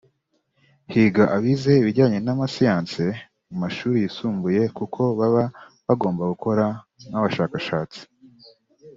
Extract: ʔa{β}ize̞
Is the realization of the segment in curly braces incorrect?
no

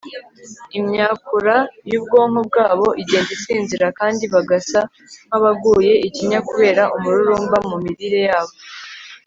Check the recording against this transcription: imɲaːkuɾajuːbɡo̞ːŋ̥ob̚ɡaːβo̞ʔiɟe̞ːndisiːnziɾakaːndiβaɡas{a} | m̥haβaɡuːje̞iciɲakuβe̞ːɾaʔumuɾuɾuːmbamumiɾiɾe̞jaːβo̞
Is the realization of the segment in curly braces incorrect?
no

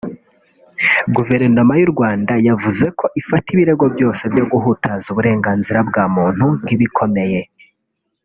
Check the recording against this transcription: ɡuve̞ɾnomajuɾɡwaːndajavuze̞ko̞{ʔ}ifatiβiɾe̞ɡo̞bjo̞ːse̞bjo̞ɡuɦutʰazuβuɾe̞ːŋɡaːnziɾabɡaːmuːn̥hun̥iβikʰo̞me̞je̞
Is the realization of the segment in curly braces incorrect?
no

